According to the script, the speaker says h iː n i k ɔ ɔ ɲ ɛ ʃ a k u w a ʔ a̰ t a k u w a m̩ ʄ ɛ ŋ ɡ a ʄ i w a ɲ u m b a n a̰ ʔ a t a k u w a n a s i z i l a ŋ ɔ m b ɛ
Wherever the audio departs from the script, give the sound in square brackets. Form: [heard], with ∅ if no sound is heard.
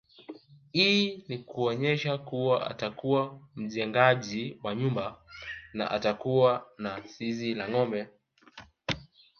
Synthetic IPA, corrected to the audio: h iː n i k [u] ɔ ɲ ɛ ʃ a k u w a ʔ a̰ t a k u w a m̩ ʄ ɛ ŋ ɡ a ʄ i w a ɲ u m b a n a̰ ʔ a t a k u w a n a s i z i l a ŋ ɔ m b ɛ